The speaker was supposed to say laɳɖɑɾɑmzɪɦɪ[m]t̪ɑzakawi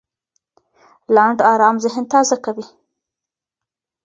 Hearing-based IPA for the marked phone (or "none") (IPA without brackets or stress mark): n